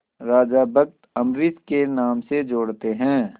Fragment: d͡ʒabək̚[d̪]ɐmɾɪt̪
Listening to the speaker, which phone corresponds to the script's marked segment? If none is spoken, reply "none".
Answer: t̪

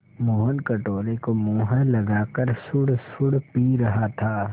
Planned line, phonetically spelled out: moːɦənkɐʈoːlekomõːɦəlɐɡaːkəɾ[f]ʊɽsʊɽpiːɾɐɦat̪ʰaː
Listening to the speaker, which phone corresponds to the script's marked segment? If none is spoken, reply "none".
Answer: s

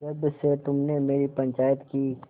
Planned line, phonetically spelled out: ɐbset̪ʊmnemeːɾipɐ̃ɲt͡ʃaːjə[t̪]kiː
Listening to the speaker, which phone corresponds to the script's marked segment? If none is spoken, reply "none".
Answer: t̪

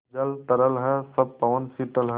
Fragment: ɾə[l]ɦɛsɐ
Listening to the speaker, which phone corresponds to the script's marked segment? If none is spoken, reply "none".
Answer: l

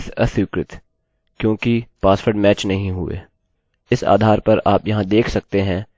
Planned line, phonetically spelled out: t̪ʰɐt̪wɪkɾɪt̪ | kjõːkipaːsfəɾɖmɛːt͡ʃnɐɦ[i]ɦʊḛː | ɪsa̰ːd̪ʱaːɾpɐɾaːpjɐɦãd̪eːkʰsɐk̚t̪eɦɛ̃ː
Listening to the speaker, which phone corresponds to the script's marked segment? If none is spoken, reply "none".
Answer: ĩ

